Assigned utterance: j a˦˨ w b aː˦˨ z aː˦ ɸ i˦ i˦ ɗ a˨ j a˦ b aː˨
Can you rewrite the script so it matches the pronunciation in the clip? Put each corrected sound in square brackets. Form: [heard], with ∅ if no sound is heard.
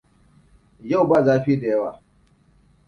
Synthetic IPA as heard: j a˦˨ w b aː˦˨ z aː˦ ɸ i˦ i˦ [d] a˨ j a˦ [w] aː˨